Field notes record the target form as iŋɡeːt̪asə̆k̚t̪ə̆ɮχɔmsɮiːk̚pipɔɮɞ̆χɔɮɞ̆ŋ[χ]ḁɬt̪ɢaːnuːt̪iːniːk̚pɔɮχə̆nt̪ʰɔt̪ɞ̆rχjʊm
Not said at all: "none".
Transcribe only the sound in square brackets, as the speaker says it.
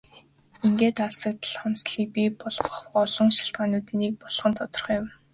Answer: ʃ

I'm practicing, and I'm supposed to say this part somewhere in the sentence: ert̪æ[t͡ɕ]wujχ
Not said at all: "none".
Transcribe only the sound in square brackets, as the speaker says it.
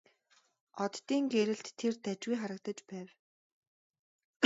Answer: t͡ɕ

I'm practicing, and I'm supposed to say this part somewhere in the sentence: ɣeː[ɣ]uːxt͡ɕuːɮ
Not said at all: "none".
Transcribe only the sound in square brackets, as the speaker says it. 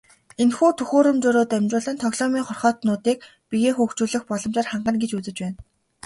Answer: x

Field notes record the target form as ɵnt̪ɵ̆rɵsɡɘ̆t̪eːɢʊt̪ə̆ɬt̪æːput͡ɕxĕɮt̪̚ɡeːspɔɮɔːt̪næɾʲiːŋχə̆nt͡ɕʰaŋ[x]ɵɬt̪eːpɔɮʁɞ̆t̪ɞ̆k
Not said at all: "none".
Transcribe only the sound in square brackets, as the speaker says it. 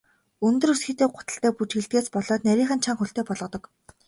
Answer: x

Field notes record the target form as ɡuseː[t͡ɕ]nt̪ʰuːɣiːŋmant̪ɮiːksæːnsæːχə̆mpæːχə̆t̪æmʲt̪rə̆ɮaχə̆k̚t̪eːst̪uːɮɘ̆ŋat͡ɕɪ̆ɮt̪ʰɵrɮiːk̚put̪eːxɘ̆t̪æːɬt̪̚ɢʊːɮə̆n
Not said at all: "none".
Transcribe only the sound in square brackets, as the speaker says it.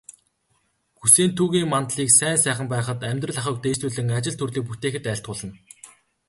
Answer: none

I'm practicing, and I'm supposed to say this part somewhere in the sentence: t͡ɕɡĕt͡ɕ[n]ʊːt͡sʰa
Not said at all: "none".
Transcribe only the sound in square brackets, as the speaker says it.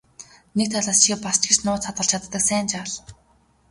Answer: n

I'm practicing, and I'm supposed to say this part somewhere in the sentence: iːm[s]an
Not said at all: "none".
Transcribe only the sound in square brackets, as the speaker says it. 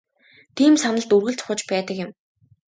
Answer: s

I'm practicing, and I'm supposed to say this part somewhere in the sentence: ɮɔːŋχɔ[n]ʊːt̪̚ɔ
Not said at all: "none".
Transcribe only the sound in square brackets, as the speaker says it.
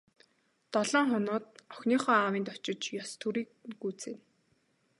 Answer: n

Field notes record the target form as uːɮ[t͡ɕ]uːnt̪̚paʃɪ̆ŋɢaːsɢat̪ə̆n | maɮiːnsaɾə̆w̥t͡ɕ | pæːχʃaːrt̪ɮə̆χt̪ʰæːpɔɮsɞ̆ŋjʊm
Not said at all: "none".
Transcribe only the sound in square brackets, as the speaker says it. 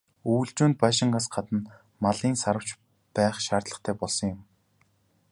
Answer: t͡ɕ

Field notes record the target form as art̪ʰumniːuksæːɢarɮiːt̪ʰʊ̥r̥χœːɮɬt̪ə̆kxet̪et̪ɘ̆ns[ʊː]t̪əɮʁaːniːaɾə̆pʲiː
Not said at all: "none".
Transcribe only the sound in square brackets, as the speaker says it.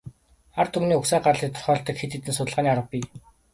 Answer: ʊ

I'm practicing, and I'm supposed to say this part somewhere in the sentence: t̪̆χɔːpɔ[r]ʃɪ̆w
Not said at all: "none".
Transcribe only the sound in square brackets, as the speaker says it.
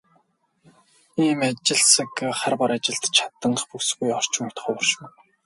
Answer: r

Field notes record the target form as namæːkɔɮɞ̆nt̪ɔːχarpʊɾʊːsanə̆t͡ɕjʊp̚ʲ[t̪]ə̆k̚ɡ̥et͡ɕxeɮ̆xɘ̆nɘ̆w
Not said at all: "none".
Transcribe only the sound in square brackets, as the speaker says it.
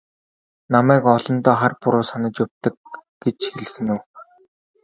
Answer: t̪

